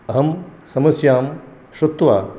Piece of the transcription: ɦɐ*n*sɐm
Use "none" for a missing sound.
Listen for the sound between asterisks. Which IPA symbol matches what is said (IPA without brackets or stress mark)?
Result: m